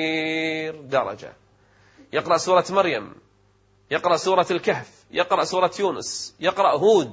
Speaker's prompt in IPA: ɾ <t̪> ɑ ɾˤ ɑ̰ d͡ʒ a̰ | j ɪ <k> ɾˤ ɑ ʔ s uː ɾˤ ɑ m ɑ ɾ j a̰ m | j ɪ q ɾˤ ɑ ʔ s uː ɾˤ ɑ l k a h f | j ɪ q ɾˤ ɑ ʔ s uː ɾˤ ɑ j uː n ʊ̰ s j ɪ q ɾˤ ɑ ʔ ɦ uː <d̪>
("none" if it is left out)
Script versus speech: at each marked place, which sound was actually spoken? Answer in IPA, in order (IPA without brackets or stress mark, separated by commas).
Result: d̪, q, d̪